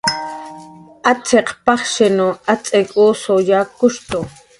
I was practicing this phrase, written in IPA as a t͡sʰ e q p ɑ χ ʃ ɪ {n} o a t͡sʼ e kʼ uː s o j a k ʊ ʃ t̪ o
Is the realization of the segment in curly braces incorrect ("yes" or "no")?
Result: no